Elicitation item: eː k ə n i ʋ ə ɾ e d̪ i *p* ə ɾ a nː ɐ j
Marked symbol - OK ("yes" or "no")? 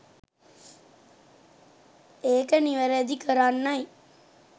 no